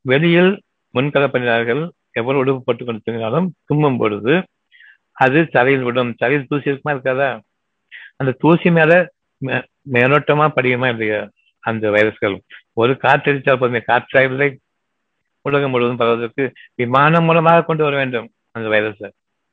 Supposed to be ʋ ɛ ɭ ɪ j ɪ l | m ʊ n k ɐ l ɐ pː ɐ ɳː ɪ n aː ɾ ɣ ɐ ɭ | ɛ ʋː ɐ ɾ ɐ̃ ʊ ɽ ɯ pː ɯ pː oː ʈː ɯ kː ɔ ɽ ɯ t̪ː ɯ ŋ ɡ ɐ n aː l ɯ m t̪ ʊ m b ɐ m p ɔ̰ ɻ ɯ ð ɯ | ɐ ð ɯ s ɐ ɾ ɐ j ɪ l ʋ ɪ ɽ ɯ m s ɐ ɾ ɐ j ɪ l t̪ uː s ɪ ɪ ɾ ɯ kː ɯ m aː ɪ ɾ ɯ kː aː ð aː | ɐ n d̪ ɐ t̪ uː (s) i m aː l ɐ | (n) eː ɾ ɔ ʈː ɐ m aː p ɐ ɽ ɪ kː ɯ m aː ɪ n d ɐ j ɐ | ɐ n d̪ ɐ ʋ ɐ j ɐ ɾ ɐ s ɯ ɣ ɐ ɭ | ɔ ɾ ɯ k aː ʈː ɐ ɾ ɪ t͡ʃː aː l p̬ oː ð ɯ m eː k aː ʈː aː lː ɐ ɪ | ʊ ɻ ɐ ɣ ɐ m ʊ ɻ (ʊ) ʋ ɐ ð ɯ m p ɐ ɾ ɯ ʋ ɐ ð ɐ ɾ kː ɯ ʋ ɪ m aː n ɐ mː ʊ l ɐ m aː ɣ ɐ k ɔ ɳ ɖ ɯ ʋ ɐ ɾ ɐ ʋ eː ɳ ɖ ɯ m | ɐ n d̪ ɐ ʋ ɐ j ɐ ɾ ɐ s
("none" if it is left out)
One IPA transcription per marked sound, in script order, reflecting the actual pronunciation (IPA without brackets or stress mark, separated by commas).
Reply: s, m, ɯ